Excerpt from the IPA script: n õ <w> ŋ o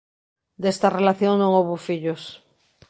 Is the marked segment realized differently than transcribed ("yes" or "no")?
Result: yes